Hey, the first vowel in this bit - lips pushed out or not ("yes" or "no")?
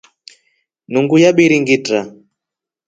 yes